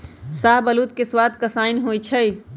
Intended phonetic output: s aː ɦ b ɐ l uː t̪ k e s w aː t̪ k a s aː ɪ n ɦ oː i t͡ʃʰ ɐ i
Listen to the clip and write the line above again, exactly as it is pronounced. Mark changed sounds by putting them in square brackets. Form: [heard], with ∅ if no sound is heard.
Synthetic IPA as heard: s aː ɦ b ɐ l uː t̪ k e s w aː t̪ k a s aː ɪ n ɦ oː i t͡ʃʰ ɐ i